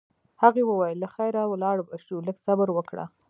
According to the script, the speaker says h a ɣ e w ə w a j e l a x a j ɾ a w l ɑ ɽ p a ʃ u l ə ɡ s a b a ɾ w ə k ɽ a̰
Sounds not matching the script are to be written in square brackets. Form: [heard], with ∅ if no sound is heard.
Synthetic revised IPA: h a ɣ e w ə w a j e l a x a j ɾ a w l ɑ ɽ [b] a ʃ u l ə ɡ s a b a ɾ w ə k ɽ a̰